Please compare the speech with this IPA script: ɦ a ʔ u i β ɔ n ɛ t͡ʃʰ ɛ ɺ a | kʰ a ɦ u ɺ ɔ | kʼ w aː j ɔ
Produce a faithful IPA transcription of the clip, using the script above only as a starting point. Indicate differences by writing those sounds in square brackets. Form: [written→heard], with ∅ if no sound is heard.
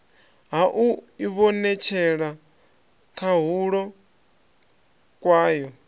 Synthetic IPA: ɦ a ʔ u i β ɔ n ɛ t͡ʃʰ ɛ ɺ a | kʰ a ɦ u ɺ ɔ | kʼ w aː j ɔ